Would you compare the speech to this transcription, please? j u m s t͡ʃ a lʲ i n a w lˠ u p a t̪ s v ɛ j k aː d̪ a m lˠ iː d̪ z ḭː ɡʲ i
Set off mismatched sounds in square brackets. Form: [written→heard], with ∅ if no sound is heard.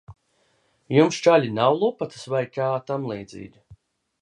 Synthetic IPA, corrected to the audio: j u m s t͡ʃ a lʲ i n a w lˠ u p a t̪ s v [ɛ→a] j k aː [d̪→t̪] a m lˠ iː d̪ z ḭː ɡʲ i

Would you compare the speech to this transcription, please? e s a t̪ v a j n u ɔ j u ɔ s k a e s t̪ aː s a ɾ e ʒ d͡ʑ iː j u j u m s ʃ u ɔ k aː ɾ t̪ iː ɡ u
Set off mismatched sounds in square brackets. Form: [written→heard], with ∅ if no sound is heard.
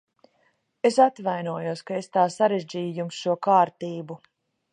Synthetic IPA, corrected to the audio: e s a t̪ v a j n u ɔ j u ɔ s k a e s t̪ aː s a ɾ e ʒ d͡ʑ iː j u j u m s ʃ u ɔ k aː ɾ t̪ iː [ɡ→b] u

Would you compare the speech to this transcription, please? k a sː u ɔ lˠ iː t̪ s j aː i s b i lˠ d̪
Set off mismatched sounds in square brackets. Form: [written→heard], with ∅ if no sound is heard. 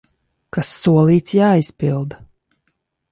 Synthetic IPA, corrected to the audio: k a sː u ɔ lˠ iː t̪ s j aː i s [b→p] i lˠ d̪

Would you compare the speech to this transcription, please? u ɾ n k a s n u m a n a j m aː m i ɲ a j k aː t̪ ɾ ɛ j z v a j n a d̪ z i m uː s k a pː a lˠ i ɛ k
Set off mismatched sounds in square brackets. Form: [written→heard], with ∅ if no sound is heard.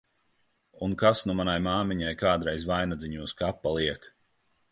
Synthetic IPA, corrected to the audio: u [ɾ→∅] n k a s n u m a n a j m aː m i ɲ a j k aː [t̪→d̪] ɾ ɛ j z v a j n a d̪ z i [m→ɲ] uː s k a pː a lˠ i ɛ k

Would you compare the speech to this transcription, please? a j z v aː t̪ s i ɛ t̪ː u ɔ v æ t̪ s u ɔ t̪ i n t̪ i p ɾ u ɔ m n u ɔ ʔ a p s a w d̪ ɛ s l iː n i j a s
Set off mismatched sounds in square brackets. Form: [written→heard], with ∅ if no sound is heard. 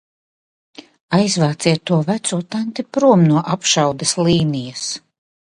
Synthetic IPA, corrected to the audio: a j z v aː t̪ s i ɛ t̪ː u ɔ v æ t̪ s u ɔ t̪ [i→a] n t̪ i p ɾ u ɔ m n u ɔ ʔ a p [s→ʃ] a w d̪ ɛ s l iː n i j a s

